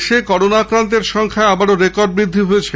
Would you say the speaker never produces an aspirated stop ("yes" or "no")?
no